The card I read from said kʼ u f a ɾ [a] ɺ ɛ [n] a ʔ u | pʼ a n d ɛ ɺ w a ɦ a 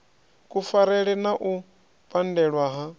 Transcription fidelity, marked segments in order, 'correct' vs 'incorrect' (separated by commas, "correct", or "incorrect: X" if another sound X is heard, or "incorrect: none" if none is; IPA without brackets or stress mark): incorrect: ɛ, correct